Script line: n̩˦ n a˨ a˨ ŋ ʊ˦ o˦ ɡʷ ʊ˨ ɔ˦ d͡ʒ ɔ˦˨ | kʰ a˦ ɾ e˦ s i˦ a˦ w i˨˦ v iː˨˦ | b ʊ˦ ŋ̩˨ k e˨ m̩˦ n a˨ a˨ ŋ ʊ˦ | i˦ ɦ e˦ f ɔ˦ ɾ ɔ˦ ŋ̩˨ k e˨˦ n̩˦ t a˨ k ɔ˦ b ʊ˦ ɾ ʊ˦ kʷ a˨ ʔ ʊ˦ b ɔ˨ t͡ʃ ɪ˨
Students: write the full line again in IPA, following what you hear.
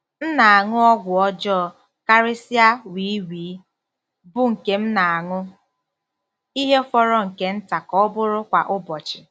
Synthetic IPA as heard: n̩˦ n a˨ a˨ ŋ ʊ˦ ɔ˦ ɡʷ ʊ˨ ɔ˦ d͡ʒ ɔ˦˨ | k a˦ ɾ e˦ s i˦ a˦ w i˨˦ w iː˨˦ | b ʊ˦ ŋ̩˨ k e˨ m̩˦ n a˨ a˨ ŋ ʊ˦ | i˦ ɦ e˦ f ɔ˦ ɾ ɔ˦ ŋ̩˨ k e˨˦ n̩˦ t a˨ k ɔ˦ b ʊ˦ ɾ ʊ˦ kʷ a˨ ʔ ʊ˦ b ɔ˨ t͡ʃ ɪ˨